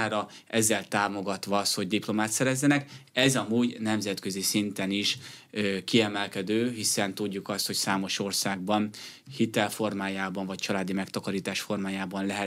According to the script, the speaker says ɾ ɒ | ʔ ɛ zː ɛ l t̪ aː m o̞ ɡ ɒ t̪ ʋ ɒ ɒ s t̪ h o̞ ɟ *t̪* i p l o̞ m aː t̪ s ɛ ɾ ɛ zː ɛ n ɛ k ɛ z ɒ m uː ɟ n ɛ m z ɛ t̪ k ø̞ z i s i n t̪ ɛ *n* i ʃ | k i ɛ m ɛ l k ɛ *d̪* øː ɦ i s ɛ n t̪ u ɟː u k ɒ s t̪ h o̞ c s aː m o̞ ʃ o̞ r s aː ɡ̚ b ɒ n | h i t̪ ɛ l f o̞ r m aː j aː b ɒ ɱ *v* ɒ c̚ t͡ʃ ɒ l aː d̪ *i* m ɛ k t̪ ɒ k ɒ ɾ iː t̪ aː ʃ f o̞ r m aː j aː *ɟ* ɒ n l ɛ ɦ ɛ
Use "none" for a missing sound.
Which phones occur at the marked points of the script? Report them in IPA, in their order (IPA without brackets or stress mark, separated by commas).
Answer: d̪, n, d̪, v, i, b